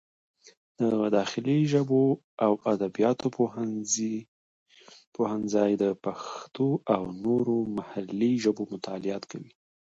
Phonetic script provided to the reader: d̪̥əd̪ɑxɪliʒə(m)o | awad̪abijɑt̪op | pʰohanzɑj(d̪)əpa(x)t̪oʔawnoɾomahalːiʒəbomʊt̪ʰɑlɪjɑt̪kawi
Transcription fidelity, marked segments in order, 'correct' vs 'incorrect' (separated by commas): incorrect, correct, correct